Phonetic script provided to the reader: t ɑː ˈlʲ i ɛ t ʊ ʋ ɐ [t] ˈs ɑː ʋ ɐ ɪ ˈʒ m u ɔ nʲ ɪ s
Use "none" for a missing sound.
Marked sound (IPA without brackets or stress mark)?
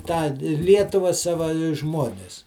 none